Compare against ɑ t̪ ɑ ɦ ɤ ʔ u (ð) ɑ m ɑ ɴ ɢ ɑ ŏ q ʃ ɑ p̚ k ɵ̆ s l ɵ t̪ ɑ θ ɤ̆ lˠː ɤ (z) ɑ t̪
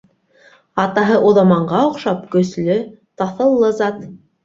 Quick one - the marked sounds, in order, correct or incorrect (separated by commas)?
correct, correct